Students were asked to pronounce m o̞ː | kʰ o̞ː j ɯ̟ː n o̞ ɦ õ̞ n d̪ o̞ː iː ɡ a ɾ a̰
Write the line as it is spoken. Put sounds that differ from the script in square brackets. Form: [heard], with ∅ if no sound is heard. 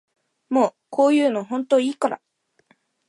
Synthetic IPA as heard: m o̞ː | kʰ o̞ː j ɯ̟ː n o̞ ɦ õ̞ n [t̪] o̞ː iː [k] a ɾ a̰